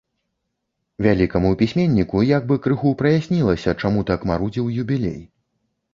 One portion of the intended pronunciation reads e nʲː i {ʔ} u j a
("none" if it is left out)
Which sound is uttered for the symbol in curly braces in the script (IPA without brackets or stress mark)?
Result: k